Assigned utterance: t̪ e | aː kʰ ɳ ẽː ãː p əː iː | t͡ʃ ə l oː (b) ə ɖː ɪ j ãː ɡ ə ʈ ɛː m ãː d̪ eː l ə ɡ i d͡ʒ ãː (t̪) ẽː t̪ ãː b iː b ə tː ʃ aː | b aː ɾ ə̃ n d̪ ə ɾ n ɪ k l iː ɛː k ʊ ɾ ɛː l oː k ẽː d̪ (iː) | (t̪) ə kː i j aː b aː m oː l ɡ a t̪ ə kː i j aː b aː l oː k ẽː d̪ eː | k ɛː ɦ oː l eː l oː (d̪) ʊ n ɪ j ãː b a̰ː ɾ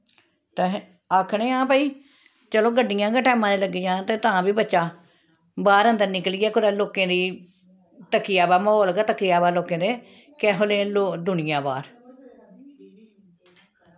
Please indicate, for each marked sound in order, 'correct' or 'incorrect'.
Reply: incorrect: ɡ, correct, correct, correct, correct

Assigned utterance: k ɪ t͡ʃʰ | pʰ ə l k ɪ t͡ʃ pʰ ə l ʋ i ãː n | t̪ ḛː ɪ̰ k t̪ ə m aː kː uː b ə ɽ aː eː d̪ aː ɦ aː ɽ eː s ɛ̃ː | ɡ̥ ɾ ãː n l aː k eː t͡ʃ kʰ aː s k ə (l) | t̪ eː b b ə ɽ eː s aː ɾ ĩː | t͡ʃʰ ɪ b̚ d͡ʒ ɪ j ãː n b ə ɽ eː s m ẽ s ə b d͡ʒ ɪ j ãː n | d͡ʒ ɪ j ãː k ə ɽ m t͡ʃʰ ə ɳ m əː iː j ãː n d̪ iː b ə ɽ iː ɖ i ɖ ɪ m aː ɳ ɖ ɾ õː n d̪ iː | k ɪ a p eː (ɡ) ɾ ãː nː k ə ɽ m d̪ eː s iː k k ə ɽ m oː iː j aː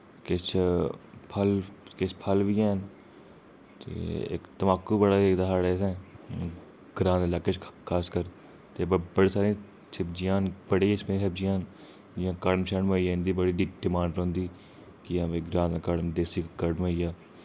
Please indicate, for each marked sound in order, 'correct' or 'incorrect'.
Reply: incorrect: ɾ, correct

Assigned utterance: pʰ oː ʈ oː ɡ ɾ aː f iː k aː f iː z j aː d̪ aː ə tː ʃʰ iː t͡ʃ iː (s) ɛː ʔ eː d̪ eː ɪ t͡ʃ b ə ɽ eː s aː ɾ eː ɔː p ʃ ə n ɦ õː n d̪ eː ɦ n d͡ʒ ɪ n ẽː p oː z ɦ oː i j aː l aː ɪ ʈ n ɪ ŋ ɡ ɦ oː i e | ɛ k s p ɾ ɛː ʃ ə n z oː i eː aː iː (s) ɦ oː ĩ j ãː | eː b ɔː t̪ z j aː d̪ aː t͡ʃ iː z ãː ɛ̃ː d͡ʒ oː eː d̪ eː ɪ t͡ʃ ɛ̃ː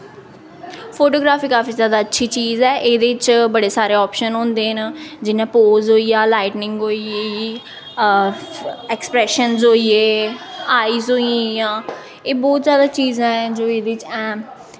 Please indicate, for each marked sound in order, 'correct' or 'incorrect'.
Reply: incorrect: z, incorrect: z

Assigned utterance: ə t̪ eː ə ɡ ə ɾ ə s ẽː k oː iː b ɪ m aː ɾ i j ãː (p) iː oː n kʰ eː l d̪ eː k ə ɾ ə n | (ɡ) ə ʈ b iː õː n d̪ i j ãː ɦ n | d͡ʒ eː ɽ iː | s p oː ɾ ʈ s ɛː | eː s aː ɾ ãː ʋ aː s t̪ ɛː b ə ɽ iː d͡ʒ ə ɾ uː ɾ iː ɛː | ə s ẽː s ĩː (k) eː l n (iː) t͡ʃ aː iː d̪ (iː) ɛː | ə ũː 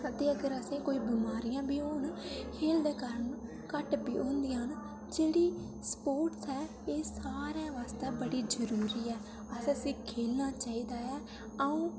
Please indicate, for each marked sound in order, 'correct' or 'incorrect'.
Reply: incorrect: b, incorrect: k, incorrect: kʰ, incorrect: aː, incorrect: aː

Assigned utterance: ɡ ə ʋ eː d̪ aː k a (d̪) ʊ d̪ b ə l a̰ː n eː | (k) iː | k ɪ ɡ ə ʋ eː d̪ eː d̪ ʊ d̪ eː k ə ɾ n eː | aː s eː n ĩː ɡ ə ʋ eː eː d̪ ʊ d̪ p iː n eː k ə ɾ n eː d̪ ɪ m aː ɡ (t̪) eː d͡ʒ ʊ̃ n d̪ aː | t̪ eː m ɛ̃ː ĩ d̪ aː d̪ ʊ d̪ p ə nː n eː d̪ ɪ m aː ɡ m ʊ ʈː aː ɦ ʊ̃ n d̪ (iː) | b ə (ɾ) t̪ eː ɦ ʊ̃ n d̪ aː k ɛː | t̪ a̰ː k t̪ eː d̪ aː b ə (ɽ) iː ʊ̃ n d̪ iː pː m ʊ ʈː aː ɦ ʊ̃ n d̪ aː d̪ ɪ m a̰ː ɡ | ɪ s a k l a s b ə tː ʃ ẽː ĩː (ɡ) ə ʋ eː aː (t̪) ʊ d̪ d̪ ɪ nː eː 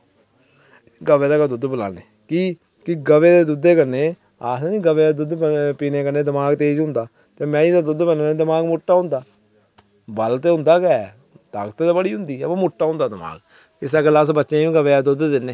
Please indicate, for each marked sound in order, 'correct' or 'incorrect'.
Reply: correct, correct, correct, incorrect: aː, incorrect: l, correct, correct, incorrect: d̪

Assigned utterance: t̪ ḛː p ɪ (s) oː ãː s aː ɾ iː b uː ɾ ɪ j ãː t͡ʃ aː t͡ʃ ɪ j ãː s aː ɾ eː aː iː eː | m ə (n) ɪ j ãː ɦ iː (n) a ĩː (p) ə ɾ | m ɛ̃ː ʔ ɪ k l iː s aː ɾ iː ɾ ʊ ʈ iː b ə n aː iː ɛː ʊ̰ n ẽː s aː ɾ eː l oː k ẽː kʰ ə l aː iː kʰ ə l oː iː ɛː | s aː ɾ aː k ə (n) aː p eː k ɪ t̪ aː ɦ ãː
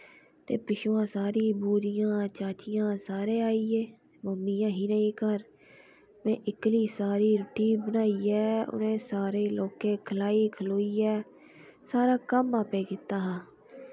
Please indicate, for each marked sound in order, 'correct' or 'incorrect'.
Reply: incorrect: ʃ, incorrect: m, correct, incorrect: k, incorrect: m

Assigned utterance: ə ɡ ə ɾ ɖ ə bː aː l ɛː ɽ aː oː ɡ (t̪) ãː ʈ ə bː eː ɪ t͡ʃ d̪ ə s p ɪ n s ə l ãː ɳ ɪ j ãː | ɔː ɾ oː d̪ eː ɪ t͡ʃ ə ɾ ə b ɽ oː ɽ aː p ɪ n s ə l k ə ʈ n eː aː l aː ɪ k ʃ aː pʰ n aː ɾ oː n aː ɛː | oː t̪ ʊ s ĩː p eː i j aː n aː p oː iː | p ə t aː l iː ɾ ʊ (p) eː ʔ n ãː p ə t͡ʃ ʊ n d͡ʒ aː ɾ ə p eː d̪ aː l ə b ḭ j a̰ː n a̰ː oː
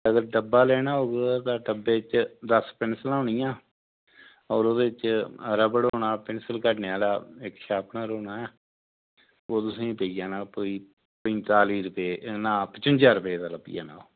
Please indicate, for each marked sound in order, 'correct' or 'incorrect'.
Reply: correct, correct

